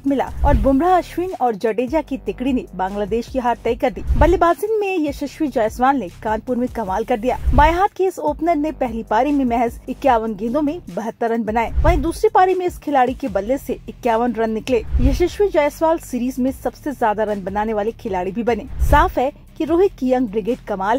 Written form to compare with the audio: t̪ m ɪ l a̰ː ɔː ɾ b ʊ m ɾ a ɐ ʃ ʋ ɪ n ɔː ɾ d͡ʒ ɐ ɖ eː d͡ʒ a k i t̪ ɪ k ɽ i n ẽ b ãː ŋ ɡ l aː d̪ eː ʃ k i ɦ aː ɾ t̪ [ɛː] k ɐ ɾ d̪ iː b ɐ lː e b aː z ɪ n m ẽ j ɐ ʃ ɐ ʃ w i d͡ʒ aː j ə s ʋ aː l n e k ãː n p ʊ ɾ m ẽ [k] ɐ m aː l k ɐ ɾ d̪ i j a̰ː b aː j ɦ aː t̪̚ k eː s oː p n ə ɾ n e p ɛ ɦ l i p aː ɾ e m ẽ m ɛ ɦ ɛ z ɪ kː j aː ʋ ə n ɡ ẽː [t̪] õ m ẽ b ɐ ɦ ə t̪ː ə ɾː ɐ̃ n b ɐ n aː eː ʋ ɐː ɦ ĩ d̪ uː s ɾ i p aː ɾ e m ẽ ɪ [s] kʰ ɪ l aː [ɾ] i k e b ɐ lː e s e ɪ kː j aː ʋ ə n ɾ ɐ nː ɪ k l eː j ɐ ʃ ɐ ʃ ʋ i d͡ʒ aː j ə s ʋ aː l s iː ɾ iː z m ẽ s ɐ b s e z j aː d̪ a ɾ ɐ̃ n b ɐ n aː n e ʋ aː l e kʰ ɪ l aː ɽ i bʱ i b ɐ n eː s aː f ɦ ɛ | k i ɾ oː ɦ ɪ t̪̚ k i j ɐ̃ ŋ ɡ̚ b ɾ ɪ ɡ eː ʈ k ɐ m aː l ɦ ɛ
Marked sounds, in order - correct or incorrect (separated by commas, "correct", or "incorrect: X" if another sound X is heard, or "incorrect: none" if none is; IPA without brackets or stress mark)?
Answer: correct, correct, incorrect: d̪, correct, incorrect: ɽ